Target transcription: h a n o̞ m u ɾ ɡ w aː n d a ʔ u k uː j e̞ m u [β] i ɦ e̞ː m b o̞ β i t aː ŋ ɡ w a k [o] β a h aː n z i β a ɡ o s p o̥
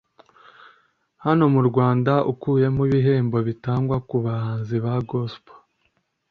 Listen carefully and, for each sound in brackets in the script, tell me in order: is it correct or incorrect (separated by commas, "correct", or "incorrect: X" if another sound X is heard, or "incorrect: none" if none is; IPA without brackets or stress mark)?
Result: correct, incorrect: u